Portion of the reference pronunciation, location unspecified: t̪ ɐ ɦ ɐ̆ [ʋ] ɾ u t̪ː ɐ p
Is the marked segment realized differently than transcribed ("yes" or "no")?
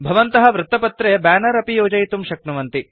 no